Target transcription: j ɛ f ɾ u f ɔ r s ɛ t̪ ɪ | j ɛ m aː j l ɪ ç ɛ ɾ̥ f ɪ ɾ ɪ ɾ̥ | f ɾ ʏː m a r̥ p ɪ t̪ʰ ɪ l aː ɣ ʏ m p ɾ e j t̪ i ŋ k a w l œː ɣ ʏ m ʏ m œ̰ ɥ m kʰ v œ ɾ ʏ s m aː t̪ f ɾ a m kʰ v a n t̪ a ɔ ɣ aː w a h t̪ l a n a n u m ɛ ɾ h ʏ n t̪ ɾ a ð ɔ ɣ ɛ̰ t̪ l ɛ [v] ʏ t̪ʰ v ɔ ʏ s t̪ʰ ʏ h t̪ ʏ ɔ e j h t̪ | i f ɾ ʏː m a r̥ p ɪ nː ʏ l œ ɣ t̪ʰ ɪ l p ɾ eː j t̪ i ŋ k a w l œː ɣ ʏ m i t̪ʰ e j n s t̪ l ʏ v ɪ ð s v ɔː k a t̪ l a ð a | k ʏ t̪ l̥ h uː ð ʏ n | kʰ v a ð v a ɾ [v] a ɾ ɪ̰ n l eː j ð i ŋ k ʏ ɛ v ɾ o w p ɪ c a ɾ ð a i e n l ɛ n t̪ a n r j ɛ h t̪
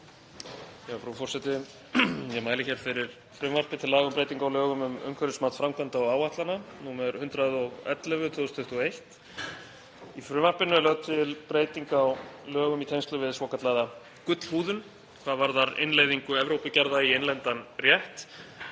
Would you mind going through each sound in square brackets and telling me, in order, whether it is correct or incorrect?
correct, incorrect

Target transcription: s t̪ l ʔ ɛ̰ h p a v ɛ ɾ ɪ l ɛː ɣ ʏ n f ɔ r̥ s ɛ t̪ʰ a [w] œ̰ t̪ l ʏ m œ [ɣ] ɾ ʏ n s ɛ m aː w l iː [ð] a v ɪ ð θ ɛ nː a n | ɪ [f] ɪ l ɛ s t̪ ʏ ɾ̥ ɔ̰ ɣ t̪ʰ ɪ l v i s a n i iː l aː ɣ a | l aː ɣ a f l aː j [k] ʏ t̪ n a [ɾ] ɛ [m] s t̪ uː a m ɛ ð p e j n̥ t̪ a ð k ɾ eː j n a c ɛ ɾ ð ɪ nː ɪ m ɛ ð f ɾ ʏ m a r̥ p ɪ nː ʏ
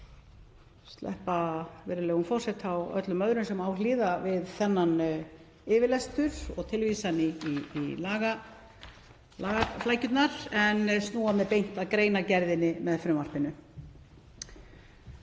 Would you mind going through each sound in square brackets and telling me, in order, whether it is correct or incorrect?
correct, incorrect, correct, incorrect, incorrect, correct, incorrect

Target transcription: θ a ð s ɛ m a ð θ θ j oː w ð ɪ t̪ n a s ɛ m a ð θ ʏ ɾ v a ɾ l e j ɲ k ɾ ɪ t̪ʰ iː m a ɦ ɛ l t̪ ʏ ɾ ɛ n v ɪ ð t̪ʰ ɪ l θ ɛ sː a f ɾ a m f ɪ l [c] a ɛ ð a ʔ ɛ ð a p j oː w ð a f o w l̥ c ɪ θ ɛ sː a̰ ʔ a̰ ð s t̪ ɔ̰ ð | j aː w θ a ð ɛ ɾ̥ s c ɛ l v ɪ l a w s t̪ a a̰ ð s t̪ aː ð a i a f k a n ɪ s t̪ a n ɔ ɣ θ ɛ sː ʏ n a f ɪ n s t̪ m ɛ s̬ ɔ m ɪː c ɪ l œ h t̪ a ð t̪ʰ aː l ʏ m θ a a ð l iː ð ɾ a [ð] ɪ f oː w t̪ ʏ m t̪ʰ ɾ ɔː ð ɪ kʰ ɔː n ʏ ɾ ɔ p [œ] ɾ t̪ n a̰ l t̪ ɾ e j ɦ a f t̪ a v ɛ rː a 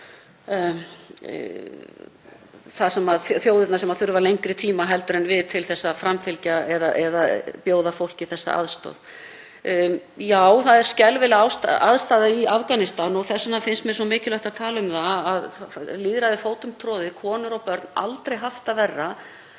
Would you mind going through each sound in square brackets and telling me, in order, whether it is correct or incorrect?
correct, correct, correct

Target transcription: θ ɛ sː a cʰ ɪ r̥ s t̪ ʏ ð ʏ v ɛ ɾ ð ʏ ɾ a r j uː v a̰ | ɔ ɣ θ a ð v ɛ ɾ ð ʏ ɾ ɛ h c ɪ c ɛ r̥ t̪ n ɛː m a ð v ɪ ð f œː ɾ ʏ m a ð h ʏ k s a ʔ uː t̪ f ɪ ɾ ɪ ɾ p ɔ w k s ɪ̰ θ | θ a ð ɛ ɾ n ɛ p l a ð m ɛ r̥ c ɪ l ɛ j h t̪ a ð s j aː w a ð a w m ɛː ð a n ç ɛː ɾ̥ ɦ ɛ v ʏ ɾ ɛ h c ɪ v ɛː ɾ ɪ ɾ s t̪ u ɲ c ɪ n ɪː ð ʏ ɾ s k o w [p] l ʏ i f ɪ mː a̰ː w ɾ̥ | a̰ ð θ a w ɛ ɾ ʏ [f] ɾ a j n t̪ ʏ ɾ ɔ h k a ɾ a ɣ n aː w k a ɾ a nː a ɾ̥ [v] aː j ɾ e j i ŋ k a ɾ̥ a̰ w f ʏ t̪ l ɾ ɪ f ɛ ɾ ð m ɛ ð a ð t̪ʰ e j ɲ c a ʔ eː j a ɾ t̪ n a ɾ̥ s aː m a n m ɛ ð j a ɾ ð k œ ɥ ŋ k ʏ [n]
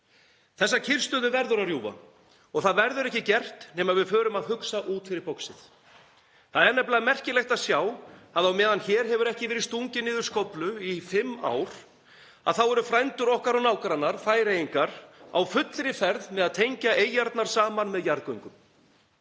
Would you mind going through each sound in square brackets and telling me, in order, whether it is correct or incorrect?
correct, correct, incorrect, incorrect

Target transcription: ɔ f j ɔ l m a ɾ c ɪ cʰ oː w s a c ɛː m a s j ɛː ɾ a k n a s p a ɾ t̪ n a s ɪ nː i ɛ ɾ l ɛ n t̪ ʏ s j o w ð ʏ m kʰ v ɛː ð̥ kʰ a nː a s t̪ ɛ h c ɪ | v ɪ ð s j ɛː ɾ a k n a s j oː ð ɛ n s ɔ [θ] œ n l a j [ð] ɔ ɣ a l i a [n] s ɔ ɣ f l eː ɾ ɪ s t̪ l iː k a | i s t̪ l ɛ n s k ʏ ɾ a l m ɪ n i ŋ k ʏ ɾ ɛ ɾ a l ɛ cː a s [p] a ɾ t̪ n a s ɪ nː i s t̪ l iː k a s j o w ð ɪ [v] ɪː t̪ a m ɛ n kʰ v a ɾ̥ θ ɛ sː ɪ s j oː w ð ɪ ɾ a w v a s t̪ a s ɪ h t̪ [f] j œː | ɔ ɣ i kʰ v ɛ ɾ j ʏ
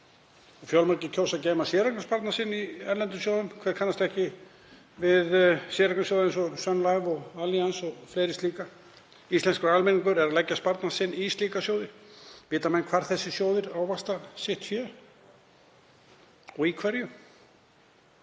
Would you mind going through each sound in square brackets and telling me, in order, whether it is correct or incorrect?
incorrect, incorrect, correct, correct, correct, correct

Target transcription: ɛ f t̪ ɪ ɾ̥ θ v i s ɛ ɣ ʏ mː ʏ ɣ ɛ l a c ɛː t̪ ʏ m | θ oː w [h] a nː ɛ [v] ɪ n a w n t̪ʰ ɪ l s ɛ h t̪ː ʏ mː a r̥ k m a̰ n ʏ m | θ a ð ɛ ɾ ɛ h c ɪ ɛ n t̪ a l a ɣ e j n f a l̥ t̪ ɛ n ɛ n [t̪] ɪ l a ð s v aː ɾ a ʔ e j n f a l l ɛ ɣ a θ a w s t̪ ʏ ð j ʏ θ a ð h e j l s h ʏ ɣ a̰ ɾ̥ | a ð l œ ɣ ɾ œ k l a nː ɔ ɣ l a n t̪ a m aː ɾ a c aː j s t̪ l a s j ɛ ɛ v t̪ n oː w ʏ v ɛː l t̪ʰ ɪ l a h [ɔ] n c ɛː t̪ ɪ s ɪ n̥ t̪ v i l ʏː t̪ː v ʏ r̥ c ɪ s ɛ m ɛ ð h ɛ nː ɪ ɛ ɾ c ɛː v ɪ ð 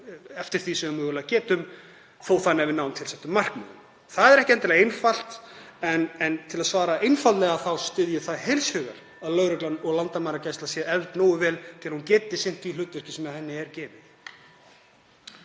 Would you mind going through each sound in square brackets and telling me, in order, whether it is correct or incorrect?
incorrect, correct, incorrect, incorrect

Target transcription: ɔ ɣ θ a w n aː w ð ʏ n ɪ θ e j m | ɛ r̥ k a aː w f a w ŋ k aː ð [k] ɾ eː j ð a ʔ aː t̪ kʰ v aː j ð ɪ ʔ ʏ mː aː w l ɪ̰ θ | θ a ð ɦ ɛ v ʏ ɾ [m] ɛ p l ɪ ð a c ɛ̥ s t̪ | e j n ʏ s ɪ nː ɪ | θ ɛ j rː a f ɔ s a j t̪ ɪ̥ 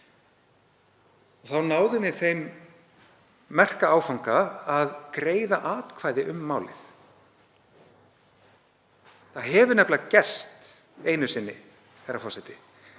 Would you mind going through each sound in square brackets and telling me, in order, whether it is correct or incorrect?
correct, incorrect

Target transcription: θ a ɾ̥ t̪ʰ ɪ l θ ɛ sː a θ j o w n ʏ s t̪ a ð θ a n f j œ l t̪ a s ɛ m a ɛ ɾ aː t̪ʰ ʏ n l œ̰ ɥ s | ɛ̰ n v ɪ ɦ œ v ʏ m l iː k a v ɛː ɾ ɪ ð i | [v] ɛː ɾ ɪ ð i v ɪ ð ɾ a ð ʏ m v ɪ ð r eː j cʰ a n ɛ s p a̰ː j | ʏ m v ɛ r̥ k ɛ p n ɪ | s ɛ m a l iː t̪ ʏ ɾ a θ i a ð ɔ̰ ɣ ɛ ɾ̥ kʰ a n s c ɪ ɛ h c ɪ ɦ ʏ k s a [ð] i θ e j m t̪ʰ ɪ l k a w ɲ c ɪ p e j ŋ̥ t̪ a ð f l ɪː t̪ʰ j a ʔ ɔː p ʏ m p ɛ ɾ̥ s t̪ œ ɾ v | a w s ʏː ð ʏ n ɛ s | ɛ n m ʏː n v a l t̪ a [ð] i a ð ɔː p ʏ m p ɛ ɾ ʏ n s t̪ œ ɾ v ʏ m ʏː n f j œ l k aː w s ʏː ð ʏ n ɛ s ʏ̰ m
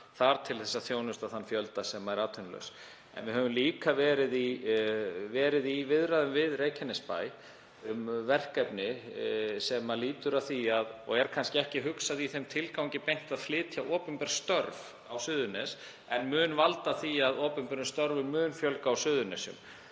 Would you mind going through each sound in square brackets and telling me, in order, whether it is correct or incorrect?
correct, correct, incorrect

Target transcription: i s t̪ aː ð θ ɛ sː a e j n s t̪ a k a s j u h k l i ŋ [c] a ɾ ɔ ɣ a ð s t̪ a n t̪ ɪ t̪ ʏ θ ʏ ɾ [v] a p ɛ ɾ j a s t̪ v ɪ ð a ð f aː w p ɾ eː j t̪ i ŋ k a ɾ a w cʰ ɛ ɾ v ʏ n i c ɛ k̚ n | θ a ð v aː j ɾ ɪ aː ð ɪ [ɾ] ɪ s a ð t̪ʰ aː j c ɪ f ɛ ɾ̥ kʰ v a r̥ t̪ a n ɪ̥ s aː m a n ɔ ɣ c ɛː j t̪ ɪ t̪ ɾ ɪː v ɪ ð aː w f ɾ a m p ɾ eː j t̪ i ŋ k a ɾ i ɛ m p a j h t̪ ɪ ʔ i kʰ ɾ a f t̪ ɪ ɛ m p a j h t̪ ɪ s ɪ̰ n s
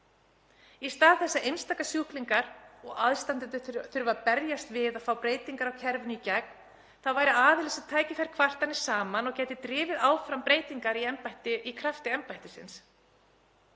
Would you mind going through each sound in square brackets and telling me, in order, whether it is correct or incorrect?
incorrect, correct, incorrect

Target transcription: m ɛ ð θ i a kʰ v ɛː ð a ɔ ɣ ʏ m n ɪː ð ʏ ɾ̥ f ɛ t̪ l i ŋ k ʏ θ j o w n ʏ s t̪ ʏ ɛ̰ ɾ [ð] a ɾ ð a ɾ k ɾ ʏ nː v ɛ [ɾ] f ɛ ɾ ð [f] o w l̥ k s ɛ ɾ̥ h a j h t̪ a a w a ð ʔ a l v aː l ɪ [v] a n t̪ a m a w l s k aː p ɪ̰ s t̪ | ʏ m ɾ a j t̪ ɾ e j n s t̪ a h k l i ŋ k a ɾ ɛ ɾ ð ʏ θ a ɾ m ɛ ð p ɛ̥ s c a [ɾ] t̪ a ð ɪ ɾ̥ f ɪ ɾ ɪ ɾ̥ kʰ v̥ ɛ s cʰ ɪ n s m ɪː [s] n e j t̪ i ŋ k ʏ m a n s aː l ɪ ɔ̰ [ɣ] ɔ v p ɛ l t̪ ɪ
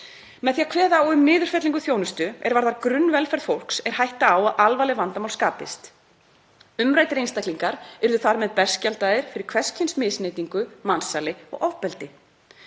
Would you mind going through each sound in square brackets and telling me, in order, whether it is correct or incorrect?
incorrect, incorrect, correct, correct, incorrect, correct, correct

